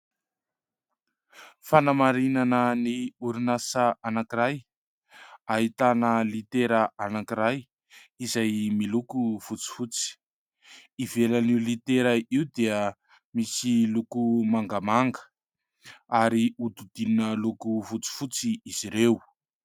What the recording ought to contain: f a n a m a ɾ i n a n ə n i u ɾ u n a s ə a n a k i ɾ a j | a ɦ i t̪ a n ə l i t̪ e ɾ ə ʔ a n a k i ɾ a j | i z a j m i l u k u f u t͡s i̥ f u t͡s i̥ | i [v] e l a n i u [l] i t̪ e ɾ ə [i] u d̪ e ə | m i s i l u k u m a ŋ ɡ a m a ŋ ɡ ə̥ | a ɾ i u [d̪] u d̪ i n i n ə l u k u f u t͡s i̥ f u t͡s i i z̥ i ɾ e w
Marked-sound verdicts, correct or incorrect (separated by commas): correct, correct, correct, correct